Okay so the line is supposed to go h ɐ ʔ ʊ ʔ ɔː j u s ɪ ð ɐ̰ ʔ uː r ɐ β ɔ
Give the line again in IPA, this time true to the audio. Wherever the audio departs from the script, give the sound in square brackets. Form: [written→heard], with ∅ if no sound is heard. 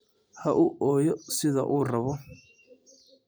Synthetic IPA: h ɐ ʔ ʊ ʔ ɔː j [u→ɔ] s ɪ ð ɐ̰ ʔ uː r ɐ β ɔ